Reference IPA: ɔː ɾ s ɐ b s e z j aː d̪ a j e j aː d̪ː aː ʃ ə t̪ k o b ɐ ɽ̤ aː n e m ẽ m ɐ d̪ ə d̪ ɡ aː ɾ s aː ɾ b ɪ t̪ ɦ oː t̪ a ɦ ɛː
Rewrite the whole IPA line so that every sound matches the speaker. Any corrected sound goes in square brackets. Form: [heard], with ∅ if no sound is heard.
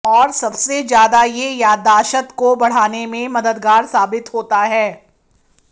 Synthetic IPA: ɔː ɾ s ɐ b s e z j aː d̪ a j e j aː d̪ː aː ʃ ə t̪ k o b ɐ ɽ̤ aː n e m ẽ m ɐ d̪ ə d̪ ɡ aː ɾ s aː [∅] b ɪ t̪ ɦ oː t̪ a ɦ ɛː